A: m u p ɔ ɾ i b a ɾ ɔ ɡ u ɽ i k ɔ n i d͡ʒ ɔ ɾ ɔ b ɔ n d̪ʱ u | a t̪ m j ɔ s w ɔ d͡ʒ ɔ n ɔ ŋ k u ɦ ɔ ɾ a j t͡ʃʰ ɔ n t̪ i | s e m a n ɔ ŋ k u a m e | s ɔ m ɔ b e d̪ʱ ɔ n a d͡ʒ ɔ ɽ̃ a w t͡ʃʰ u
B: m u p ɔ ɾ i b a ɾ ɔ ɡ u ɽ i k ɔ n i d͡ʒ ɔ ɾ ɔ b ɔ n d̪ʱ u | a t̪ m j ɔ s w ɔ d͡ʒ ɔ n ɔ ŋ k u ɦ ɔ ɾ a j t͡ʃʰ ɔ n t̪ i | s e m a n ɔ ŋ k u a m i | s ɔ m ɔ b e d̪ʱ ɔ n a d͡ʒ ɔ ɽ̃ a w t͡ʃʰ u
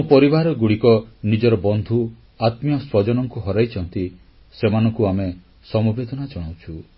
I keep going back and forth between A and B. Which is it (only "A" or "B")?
A